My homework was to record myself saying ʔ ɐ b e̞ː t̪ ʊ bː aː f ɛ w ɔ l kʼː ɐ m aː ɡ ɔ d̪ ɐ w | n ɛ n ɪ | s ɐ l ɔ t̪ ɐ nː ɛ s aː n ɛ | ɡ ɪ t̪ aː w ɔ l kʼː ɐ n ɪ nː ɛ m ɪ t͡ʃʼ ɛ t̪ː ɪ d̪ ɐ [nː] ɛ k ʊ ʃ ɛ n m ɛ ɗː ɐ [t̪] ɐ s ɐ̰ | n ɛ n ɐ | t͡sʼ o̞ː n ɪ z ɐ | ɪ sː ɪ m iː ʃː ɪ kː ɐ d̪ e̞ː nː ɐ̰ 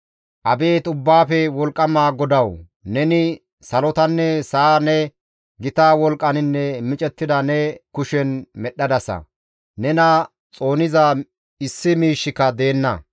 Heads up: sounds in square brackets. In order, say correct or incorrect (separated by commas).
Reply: incorrect, incorrect